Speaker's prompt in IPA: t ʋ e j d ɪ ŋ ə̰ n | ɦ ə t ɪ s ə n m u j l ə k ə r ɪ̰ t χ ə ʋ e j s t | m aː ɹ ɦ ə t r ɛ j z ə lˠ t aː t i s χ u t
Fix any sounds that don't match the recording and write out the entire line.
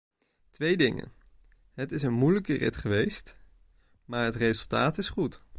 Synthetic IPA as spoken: t ʋ e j d ɪ ŋ ə̰ n | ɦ ə t ɪ s ə n m u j l ə k ə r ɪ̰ t χ ə ʋ e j s t | m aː ɹ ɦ ə t r e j z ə lˠ t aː t ɪ s χ u t